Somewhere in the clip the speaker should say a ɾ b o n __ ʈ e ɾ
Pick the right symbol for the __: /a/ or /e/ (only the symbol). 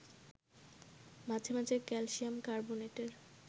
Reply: e